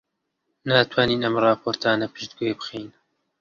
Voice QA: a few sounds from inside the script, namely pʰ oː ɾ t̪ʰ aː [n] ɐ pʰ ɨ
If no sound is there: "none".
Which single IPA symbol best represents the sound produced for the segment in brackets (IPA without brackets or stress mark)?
n